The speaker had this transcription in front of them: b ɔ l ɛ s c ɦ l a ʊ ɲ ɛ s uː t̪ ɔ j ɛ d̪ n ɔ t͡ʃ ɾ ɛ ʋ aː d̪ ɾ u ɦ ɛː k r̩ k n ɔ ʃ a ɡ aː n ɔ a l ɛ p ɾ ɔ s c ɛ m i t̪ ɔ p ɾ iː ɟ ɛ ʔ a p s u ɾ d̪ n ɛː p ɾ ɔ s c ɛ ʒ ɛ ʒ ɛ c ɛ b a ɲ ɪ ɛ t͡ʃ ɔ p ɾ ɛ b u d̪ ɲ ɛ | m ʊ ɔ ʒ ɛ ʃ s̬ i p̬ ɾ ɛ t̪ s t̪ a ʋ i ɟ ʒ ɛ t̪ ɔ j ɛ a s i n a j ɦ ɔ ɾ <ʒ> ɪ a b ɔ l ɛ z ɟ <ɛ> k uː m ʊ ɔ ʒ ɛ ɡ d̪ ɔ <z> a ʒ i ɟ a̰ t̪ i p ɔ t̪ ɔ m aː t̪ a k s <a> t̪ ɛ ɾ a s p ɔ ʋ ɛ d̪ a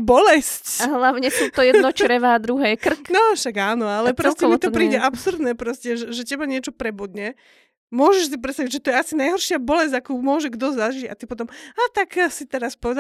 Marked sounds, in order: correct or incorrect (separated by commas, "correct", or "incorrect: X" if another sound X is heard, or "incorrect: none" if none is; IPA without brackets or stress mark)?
incorrect: ʃ, incorrect: a, correct, incorrect: i